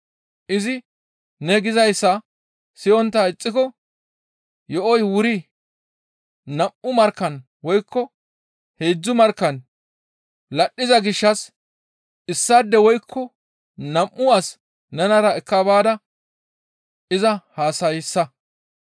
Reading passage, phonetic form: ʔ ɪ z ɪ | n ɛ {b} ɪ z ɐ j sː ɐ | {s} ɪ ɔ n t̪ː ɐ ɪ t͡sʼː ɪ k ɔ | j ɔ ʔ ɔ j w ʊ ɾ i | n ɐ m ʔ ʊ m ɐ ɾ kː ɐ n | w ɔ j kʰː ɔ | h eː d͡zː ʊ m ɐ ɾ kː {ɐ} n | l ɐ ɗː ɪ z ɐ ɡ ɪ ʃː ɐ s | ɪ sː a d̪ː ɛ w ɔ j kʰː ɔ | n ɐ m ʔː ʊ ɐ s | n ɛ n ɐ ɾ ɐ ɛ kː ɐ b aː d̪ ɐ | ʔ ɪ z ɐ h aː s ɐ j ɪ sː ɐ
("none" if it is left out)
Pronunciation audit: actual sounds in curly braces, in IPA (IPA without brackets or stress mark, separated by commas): ɡ, s, ɐ